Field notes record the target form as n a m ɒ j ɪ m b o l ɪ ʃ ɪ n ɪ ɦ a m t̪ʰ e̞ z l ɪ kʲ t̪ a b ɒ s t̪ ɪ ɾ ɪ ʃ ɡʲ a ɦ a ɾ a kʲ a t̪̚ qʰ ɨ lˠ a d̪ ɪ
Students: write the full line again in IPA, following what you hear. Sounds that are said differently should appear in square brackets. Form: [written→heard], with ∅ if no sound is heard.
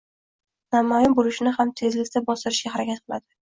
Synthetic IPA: n a m ɒ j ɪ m b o l ɪ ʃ ɪ n ɪ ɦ a m t̪ʰ e̞ z l ɪ kʲ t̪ a b ɒ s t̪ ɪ ɾ ɪ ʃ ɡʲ a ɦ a ɾ a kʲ a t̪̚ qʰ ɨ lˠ a d̪ ɪ